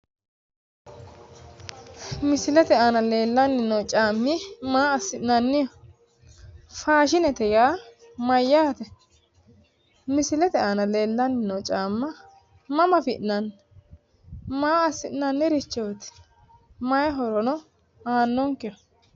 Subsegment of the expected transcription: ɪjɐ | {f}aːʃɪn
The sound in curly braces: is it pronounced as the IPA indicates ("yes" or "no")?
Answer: yes